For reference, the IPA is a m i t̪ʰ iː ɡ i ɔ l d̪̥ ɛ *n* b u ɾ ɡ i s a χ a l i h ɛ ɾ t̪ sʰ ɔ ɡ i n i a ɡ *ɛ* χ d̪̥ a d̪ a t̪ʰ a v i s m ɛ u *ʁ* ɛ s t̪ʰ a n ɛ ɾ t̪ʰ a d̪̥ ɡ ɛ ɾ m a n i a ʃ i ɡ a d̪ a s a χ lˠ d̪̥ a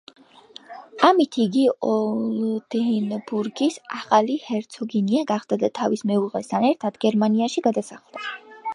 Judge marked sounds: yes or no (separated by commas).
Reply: yes, no, yes